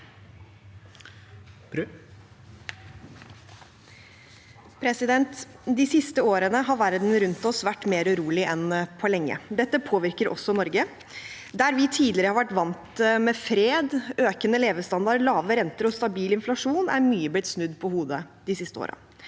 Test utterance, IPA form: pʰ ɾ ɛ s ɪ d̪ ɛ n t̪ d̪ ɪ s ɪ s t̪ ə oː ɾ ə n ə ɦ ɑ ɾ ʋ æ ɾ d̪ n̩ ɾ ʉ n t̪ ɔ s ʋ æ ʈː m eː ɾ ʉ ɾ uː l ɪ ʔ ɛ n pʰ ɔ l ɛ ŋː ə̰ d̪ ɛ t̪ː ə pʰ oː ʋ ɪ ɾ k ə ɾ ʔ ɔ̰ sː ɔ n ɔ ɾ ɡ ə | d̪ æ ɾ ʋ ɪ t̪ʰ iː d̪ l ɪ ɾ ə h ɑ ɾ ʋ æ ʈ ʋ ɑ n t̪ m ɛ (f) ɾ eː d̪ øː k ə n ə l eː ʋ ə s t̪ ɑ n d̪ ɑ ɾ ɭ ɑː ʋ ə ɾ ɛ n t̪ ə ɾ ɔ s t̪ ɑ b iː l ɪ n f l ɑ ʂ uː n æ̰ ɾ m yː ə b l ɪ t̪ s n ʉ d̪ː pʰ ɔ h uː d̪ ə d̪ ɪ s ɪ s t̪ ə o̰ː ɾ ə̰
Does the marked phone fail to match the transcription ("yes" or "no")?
no